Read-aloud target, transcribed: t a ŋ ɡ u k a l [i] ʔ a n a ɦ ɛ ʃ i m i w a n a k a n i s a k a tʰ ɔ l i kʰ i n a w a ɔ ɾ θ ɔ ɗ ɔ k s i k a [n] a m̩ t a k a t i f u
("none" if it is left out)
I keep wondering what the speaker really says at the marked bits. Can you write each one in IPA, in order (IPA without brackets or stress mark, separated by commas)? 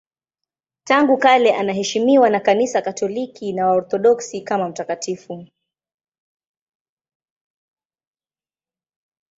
ɛ, m